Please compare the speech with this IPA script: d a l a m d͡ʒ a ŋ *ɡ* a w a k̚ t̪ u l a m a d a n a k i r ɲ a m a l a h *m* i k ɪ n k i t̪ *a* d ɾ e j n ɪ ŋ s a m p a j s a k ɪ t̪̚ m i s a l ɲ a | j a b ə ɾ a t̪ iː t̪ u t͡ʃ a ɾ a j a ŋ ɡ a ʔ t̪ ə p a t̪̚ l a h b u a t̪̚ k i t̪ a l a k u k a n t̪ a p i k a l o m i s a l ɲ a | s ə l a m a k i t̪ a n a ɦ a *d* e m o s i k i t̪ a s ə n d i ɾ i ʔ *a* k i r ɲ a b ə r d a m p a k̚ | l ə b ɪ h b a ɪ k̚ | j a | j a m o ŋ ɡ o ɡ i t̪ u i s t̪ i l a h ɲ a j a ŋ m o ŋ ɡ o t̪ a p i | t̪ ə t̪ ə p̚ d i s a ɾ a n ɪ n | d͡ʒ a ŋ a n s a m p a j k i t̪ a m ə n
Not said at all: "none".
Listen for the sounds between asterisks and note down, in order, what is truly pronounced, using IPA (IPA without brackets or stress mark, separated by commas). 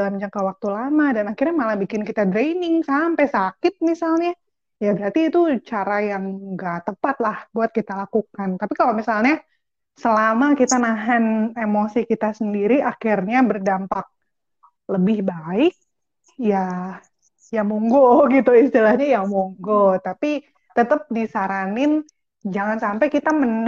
k, b, a, n, a